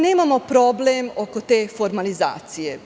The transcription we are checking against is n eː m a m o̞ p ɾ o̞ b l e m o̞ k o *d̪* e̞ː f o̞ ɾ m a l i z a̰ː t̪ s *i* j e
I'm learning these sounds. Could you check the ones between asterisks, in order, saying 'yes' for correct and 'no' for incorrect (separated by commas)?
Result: no, yes